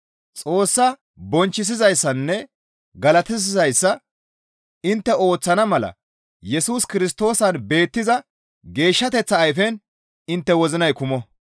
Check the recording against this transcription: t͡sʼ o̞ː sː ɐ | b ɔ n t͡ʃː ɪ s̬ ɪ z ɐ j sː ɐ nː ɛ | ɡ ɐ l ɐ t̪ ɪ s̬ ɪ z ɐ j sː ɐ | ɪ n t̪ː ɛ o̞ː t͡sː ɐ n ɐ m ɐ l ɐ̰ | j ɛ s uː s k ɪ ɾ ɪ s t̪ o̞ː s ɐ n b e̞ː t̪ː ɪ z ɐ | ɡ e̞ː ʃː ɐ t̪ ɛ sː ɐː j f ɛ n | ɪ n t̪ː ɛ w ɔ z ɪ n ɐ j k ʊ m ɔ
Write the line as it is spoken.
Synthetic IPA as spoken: t͡sʼ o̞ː sː ɐ | b ɔ n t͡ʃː ɪ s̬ ɪ z ɐ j sː ɐ nː ɛ | ɡ ɐ l ɐ t̪ ɪ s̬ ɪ z ɐ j sː ɐ | ɪ n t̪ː ɛ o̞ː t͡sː ɐ n ɐ m ɐ l ɐ̰ | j ɛ s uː s k ɪ ɾ ɪ s t̪ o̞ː s ɐ n b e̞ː t̪ː ɪ z ɐ | ɡ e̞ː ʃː ɐ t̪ ɛ t͡sː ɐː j f ɛ n | ɪ n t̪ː ɛ w ɔ z ɪ n ɐ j k ʊ m ɔ